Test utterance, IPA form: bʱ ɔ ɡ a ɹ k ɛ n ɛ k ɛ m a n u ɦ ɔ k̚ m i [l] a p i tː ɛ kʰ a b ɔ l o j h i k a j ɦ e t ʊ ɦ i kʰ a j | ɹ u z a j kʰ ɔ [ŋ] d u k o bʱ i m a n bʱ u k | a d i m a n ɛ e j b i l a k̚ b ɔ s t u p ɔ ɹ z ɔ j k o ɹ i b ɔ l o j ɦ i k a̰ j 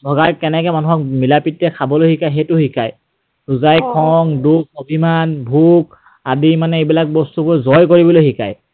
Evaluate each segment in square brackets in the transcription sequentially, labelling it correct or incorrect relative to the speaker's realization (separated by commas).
correct, correct